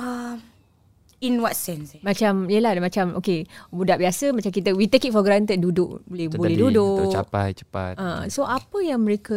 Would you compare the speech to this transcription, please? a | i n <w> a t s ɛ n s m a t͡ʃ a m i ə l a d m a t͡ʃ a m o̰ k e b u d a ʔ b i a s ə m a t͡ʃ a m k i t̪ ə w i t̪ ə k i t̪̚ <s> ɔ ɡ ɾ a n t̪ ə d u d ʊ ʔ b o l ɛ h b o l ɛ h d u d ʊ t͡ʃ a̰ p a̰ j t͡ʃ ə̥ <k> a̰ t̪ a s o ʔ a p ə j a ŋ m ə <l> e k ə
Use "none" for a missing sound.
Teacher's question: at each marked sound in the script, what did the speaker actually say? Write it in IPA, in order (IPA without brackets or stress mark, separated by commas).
w, f, p, ɾ